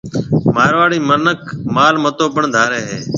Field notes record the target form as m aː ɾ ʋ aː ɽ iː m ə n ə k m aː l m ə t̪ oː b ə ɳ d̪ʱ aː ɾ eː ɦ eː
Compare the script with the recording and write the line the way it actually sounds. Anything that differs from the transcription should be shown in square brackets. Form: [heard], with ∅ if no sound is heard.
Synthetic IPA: m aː ɾ ʋ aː ɽ iː m ə n ə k m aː l m ə t̪ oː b ə ɳ d̪ʱ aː ɾ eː ɦ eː